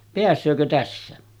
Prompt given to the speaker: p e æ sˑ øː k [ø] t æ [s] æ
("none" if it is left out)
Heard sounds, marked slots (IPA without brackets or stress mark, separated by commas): ø, sː